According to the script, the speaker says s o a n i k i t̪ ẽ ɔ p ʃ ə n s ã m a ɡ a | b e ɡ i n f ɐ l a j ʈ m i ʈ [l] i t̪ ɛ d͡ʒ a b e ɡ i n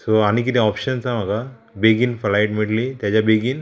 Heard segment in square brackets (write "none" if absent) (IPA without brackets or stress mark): l